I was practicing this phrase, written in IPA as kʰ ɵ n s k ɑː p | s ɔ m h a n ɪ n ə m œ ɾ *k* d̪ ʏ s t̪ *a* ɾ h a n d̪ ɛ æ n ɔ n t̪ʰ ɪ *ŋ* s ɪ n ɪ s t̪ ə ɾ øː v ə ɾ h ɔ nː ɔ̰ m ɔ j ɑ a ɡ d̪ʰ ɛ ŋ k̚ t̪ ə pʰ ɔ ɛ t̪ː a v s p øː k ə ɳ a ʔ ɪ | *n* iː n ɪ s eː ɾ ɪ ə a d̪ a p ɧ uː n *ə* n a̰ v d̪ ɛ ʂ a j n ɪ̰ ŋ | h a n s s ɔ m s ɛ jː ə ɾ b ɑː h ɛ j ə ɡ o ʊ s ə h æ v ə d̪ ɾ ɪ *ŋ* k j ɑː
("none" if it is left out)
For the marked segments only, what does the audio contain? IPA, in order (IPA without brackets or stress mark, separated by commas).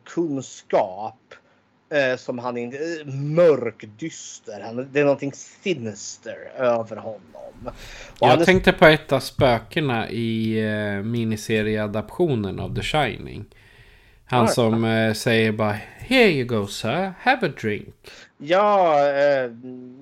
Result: k, ə, ŋ, m, ə, ŋ